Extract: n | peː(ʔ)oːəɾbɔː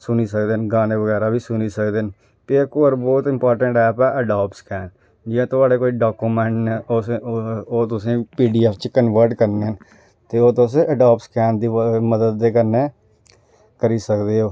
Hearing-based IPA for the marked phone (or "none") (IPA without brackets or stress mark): k